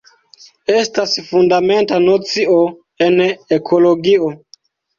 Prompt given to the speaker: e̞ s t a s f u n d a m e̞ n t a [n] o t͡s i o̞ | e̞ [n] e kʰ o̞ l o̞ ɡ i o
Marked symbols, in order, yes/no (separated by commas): yes, yes